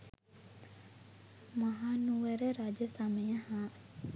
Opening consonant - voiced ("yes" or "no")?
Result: yes